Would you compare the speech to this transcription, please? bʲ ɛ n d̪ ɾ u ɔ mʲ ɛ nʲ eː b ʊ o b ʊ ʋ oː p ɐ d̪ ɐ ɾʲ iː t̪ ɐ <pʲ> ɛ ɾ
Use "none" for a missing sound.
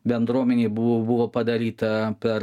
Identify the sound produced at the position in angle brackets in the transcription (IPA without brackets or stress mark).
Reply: pʲ